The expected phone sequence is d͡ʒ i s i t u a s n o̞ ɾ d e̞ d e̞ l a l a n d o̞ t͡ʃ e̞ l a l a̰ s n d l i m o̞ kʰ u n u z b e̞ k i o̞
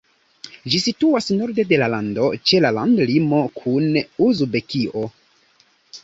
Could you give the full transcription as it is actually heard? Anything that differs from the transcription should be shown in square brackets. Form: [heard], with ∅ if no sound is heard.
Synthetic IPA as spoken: d͡ʒ i s i t u a s n o̞ ɾ d e̞ d e̞ l a l a n d o̞ t͡ʃ e̞ l a l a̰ [∅] n d l i m o̞ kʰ u n u z b e̞ k i o̞